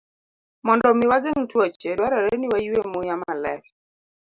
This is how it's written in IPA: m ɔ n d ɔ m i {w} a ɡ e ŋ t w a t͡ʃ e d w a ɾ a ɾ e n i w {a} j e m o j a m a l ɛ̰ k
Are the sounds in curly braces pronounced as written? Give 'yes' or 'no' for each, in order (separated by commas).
yes, yes